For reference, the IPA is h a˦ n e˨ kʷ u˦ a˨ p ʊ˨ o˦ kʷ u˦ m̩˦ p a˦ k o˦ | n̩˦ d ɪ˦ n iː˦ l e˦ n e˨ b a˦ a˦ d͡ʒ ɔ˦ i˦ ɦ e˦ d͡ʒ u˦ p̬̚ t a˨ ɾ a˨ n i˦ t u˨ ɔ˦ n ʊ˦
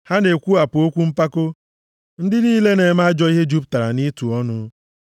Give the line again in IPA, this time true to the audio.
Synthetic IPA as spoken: h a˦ n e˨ kʷ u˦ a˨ p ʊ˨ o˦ kʷ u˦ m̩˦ p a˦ k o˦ | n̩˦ d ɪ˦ n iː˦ l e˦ n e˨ m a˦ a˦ d͡ʒ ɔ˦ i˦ ɦ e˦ d͡ʒ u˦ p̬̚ t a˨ ɾ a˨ n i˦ t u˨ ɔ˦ n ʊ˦